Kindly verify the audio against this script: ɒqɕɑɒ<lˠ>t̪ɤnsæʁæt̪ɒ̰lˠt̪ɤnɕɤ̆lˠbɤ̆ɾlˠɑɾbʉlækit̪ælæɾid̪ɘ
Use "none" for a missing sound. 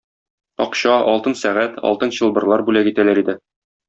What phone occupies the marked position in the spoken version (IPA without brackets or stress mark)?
lˠ